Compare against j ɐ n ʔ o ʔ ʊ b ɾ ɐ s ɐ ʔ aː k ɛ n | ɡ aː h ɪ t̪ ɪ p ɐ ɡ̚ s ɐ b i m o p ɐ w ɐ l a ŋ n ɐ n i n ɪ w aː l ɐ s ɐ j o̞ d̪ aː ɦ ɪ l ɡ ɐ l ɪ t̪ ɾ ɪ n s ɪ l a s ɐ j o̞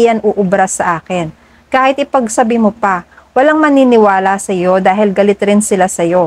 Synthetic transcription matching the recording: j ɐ n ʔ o ʔ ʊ b ɾ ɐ s ɐ ʔ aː k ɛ n | k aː h ɪ t̪ ɪ p ɐ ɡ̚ s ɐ b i m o p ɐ w ɐ l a ŋ m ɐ n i n ɪ w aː l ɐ s ɐ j o̞ d̪ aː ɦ ɪ l ɡ ɐ l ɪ t̪ ɾ ɪ n s ɪ l a s ɐ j o̞